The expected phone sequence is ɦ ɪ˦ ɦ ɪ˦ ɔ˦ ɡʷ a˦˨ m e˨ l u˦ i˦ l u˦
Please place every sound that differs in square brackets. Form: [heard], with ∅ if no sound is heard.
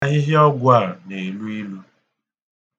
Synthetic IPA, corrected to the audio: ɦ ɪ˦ ɦ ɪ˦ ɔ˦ ɡʷ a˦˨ [n] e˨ l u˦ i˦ l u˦